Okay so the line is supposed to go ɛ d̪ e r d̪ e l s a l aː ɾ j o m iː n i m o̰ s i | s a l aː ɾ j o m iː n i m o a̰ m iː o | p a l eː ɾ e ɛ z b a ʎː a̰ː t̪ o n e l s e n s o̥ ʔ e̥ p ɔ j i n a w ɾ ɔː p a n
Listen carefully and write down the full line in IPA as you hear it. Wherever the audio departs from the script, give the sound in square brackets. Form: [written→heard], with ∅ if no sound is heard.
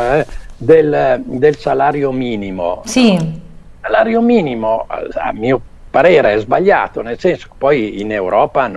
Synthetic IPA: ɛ d̪ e [r→l] d̪ e l s a l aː ɾ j o m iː n i m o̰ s i | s a l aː ɾ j o m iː n i m o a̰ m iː o | p a [l→ɾ] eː ɾ e ɛ z b a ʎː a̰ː t̪ o n e l s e n s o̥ [ʔ→k] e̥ p ɔ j i n [a→e] w ɾ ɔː p a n